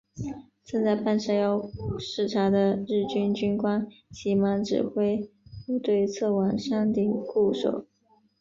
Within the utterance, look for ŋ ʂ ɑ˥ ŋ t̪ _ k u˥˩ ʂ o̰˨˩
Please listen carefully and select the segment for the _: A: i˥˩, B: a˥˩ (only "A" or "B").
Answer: A